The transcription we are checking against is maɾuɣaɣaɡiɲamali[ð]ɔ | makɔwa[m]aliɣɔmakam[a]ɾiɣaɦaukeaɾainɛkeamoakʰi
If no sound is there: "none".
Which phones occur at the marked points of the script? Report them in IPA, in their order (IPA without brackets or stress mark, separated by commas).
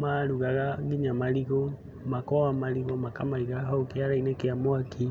ɣ, m, a